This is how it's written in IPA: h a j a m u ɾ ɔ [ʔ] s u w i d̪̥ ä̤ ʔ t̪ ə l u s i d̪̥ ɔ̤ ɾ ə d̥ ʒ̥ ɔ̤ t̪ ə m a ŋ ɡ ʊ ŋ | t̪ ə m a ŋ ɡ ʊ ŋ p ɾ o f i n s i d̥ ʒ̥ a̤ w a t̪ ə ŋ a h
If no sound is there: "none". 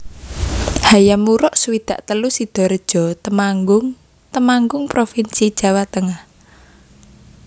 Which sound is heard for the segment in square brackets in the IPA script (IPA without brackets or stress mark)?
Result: ʔ